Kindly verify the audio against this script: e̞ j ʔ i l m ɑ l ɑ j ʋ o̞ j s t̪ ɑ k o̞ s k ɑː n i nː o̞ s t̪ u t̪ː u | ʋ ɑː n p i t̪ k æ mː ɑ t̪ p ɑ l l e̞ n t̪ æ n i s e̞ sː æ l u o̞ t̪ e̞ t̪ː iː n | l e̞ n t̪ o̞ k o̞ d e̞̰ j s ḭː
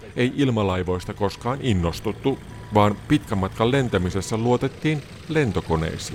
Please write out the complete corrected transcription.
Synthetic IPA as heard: e̞ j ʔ i l m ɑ l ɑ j ʋ o̞ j s t̪ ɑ k o̞ s k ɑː n i nː o̞ s t̪ u t̪ː u | ʋ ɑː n p i t̪ k æ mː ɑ t̪ k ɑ l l e̞ n t̪ æ m i s e̞ sː æ l u o̞ t̪ e̞ t̪ː iː n | l e̞ n t̪ o̞ k o̞ n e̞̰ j s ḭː